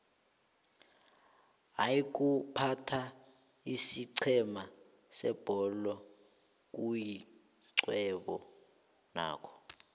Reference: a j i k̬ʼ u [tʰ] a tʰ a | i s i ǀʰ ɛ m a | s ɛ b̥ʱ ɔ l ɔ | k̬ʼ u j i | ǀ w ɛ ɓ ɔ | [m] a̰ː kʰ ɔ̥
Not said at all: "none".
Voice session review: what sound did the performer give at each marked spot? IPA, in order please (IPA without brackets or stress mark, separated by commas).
pʰ, n